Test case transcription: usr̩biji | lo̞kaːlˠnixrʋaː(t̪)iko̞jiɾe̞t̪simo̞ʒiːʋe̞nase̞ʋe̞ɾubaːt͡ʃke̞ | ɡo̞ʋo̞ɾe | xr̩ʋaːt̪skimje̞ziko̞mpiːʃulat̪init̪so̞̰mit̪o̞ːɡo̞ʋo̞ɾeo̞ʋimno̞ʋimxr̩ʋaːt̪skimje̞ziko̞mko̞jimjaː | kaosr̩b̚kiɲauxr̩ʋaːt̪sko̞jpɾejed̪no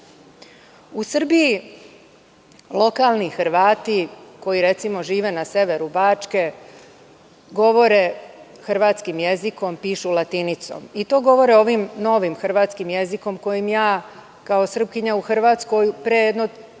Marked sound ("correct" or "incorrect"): correct